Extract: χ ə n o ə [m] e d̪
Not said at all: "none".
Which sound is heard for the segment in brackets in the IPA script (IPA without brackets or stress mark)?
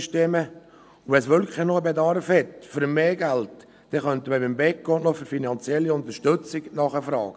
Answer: b